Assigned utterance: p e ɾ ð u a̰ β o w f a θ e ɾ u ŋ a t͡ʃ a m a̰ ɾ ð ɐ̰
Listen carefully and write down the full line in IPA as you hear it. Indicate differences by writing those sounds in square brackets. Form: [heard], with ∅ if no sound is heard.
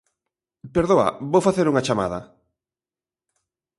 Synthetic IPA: p e ɾ ð [o] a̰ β o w f a θ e ɾ u ŋ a t͡ʃ a m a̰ [∅] ð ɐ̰